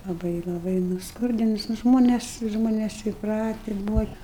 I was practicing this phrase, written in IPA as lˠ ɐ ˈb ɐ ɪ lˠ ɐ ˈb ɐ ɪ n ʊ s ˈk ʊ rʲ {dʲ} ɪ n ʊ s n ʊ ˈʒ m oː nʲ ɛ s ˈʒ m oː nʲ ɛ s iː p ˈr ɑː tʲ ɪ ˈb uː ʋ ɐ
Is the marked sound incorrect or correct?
correct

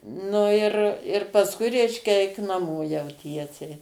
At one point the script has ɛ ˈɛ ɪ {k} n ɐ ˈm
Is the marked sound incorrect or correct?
correct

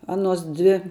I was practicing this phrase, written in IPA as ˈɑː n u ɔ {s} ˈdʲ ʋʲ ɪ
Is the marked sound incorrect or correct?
correct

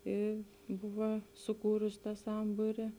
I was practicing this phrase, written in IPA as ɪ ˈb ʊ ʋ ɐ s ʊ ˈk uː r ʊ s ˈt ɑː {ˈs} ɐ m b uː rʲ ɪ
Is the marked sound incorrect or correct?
correct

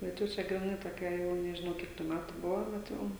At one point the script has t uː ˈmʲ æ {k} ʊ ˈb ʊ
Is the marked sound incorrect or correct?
incorrect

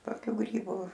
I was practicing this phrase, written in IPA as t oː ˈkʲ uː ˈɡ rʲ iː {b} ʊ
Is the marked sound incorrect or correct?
correct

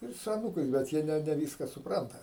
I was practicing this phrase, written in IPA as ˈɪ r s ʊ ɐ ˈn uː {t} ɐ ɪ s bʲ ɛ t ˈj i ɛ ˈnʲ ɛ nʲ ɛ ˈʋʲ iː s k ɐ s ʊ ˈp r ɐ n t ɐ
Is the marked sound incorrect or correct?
incorrect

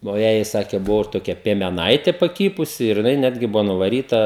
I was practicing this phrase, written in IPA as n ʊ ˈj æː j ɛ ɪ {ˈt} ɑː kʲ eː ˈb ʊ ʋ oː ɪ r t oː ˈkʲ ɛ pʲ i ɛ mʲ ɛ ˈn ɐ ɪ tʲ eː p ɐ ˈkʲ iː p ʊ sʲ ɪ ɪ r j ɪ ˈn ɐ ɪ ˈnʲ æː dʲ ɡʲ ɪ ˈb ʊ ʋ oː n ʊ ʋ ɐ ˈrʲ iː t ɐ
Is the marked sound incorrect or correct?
incorrect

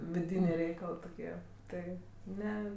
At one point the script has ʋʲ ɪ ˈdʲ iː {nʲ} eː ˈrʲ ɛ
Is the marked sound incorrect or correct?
correct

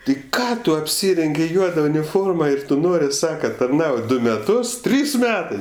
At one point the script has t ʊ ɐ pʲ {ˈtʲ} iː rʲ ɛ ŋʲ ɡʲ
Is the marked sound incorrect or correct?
incorrect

